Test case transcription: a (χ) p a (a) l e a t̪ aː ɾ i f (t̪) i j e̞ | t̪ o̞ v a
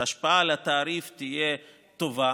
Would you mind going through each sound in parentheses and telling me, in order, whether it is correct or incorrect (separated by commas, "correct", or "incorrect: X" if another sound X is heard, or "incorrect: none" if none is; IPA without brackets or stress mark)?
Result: incorrect: ʃ, correct, correct